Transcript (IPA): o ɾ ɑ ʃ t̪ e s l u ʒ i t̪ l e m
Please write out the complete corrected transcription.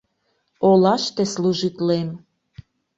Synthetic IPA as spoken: o l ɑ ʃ t̪ e s l u ʒ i t̪ l e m